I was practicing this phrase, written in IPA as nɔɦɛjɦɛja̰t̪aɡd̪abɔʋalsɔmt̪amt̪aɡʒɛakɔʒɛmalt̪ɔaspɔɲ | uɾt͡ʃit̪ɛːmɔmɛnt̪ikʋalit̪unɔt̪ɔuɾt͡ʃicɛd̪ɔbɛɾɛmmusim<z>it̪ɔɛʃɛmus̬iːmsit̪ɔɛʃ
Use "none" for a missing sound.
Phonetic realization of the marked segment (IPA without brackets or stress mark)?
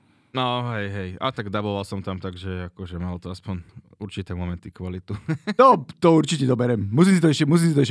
s